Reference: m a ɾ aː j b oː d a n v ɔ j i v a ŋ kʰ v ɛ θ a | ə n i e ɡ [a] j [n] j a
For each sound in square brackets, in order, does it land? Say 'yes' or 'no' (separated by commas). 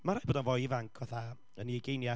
no, yes